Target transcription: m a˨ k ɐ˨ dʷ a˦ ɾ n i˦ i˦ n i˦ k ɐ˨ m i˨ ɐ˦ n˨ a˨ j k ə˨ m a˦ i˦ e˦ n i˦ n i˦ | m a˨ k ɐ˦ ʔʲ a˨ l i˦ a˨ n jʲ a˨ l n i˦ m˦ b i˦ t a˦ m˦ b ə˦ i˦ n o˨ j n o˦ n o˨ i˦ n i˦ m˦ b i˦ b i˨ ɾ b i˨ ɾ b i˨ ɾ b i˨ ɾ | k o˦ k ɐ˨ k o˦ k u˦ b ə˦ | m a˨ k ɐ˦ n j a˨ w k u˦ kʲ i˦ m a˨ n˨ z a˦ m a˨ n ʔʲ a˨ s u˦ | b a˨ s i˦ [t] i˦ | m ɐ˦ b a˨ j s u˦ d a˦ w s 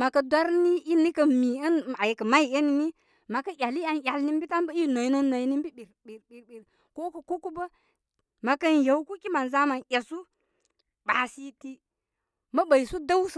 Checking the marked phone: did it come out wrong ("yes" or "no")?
no